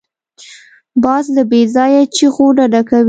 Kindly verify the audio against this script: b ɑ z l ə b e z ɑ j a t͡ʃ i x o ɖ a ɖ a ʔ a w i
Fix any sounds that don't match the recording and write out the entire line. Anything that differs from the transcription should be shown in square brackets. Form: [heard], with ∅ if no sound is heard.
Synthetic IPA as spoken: b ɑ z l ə b e z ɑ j a t͡ʃ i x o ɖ a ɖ a [k] a w i